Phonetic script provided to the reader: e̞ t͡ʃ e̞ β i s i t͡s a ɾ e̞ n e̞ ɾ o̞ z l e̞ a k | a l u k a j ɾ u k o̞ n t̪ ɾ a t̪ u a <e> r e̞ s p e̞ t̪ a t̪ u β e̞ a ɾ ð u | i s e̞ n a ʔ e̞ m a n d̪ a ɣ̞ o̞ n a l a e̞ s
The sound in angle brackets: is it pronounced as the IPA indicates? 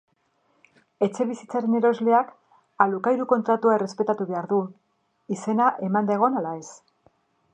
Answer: yes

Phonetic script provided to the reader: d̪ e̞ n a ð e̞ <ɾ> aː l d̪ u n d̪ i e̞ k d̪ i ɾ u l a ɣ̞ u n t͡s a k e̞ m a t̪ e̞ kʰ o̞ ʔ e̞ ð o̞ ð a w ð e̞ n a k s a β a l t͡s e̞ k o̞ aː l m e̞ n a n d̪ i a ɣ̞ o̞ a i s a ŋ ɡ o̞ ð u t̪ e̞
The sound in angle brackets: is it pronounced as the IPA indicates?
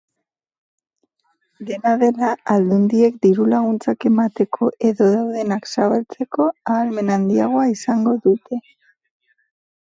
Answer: no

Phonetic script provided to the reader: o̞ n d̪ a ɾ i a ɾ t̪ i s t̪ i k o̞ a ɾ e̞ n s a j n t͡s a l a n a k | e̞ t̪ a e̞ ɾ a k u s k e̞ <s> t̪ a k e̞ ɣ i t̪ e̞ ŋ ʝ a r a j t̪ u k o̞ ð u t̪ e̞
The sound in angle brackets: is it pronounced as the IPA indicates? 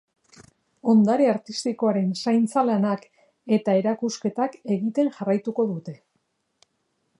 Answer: no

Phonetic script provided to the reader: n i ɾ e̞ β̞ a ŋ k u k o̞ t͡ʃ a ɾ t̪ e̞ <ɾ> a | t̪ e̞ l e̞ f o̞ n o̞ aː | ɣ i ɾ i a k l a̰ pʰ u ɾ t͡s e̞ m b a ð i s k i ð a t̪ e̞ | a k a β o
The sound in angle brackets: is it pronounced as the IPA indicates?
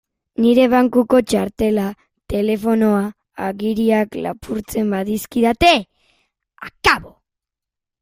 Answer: no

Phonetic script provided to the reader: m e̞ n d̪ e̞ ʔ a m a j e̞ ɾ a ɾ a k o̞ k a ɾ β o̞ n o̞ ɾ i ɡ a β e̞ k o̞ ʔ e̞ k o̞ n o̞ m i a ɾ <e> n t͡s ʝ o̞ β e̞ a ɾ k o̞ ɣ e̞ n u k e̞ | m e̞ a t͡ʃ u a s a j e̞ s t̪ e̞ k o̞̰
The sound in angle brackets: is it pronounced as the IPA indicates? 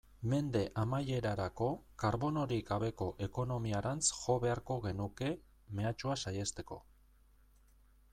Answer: no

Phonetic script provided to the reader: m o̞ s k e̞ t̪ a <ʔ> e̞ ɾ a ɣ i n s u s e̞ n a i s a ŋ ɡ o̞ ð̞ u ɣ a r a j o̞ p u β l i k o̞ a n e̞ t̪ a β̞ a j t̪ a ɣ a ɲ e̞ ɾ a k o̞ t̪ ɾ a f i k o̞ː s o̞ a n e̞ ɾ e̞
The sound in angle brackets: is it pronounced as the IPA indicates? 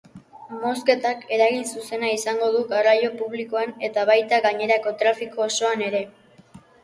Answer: no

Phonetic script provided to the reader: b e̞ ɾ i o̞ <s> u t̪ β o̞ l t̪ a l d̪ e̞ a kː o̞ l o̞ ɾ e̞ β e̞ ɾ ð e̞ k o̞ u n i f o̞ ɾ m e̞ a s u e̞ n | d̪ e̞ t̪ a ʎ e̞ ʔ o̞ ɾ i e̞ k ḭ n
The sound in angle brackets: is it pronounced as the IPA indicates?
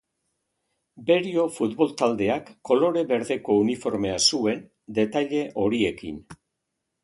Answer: no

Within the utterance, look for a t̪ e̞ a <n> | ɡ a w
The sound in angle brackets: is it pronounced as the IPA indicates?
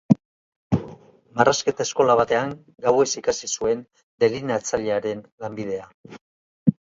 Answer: no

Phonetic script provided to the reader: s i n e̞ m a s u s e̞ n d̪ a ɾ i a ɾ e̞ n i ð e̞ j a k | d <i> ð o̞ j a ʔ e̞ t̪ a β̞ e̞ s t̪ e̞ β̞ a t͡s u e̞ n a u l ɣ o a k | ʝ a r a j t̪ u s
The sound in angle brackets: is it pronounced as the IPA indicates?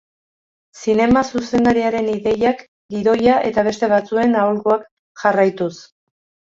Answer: yes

